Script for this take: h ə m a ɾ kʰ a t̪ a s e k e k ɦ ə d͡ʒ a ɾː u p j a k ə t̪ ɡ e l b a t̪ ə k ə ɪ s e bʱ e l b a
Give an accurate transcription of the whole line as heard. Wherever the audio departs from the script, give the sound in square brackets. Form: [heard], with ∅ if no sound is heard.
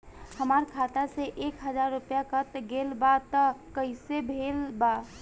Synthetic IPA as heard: h ə m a ɾ kʰ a t̪ a s e [ʔ] e k ɦ ə d͡ʒ a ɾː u p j a k ə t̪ ɡ e l b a t̪ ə k ə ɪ s e bʱ e l b a